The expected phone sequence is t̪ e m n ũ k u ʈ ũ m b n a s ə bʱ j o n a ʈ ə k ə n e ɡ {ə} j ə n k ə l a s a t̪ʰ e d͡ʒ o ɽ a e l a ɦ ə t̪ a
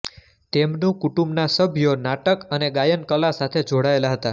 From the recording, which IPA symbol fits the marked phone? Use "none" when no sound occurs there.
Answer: a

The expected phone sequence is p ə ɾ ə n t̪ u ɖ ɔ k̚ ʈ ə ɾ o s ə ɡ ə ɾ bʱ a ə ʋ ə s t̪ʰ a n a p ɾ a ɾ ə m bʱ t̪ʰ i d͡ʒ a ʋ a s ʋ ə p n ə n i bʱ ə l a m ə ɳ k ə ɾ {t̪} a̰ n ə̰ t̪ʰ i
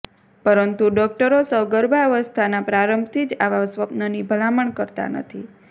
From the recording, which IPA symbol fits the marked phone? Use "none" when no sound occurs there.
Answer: t̪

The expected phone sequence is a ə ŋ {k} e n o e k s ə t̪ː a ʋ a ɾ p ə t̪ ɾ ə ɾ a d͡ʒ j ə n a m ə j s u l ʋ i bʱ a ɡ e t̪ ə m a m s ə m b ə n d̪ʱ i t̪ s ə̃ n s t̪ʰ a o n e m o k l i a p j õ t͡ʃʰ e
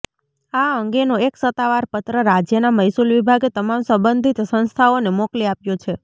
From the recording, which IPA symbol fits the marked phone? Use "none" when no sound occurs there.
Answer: ɡ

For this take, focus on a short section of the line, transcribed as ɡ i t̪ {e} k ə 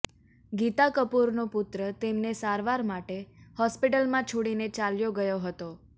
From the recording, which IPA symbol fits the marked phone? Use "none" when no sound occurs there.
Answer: a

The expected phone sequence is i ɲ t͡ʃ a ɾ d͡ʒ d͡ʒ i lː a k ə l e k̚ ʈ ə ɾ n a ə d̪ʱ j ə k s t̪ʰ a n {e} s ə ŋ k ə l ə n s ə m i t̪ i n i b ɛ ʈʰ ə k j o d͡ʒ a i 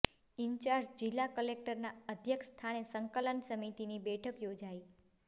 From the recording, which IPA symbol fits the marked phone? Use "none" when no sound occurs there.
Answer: e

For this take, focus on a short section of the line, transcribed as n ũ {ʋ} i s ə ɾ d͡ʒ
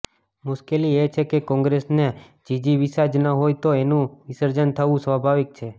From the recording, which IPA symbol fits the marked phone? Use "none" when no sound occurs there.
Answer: ʋ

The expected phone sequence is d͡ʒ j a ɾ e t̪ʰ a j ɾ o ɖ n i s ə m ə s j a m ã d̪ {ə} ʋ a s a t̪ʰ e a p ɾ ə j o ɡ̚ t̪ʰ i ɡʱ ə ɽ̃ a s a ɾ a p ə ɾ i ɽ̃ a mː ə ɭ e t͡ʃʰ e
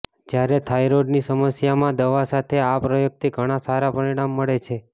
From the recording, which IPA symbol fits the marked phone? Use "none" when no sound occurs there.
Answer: ə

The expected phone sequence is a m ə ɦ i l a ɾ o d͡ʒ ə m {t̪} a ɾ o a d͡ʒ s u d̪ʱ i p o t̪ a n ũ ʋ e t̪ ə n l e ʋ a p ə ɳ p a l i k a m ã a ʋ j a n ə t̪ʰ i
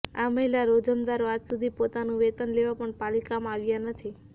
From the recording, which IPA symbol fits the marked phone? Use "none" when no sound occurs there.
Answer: d̪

